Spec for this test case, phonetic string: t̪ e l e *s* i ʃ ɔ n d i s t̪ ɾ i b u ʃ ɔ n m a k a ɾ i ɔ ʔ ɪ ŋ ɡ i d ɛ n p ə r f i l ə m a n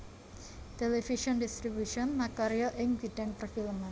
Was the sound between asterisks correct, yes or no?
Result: no